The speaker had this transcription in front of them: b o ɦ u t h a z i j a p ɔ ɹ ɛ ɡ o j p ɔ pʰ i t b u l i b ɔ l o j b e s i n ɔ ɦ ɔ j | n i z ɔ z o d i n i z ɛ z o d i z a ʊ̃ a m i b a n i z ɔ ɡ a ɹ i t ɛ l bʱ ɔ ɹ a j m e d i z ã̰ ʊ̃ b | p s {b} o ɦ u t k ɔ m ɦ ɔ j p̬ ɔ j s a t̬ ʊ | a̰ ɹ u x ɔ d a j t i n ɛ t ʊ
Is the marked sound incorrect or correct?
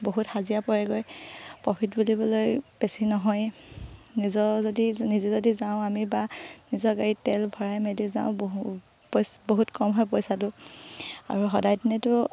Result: correct